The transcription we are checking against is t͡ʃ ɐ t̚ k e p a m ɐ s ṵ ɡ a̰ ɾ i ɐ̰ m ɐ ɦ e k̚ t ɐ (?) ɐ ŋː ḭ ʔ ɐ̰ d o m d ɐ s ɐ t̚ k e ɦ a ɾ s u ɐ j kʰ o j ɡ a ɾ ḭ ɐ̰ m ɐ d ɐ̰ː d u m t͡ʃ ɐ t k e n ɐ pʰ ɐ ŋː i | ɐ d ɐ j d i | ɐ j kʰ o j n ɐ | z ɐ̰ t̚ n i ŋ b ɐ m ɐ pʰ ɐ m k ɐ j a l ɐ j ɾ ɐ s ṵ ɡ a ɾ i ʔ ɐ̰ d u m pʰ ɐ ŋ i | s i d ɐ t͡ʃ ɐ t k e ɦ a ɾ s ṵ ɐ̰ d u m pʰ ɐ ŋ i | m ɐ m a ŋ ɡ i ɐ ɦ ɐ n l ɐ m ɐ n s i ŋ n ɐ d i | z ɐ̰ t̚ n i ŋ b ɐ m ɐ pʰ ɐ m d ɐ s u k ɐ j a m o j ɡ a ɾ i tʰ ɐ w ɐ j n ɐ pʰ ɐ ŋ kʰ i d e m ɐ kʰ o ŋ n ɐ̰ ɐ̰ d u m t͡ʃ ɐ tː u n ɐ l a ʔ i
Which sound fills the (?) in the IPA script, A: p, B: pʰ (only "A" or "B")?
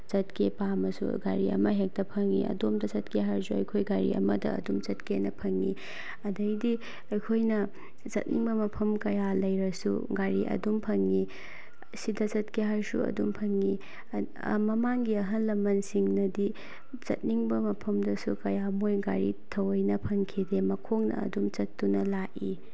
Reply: B